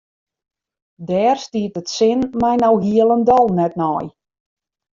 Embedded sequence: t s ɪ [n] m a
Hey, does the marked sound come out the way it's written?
yes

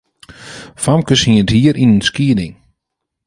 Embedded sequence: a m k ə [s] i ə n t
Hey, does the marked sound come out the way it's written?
yes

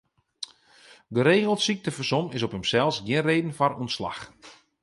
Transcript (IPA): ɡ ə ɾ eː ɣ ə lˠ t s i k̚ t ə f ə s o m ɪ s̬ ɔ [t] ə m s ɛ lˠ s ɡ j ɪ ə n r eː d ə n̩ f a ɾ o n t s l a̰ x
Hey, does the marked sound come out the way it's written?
no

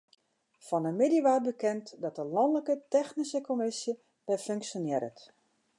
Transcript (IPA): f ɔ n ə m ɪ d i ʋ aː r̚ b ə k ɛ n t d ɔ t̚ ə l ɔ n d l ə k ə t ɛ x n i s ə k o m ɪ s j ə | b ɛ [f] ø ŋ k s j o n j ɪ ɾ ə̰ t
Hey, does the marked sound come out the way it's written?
yes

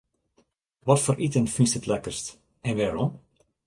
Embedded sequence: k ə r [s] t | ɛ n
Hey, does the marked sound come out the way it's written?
yes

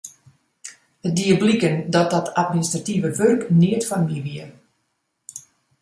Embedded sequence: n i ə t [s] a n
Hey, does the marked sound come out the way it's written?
no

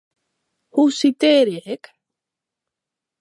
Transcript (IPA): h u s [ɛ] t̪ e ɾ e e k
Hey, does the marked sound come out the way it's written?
no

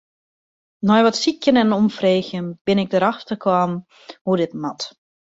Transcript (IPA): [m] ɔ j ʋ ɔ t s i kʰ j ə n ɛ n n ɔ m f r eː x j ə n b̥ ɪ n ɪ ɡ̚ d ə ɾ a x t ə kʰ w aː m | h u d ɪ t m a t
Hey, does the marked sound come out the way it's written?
no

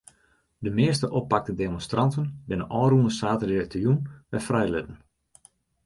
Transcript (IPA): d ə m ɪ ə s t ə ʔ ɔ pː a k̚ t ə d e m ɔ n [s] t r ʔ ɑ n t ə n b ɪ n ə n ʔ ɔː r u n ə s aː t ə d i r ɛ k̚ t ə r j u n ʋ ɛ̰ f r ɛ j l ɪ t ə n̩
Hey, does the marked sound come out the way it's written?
yes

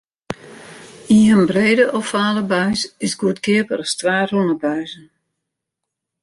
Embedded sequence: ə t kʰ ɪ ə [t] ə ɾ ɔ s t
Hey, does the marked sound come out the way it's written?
no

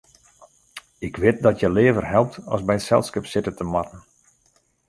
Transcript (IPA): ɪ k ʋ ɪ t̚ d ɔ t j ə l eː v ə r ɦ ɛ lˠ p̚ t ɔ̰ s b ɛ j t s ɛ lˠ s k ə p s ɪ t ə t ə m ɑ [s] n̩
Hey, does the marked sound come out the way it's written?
no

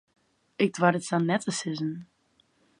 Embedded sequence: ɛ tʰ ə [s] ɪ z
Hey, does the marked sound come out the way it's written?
yes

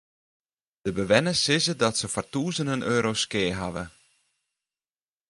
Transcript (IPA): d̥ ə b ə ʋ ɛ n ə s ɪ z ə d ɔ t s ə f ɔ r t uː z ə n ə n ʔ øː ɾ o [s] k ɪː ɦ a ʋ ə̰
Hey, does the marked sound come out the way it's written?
yes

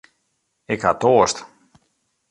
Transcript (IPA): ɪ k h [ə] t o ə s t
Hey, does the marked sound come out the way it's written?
no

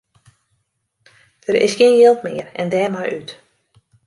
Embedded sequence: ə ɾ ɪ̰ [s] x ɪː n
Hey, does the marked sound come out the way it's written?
yes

